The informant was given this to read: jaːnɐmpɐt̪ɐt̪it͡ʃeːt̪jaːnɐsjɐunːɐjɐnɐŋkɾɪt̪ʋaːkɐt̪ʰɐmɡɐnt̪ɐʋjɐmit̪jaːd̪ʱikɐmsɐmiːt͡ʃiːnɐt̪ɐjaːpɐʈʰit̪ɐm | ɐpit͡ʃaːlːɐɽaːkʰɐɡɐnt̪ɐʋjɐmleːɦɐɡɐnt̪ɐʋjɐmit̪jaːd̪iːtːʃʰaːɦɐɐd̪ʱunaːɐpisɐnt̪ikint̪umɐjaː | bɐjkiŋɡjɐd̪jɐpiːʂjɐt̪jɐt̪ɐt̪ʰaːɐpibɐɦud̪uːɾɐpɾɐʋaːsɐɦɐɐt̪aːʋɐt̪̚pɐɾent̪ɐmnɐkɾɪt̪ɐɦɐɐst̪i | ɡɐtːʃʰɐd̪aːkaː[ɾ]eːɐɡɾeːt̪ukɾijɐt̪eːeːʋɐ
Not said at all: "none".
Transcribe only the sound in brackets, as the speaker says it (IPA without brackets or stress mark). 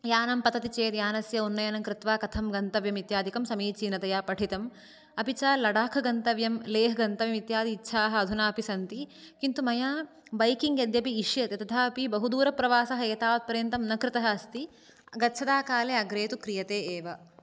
l